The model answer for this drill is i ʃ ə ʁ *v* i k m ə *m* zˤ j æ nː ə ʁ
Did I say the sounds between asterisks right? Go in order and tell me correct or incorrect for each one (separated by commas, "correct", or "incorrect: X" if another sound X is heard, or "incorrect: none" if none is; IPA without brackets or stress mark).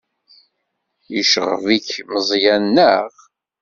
correct, incorrect: none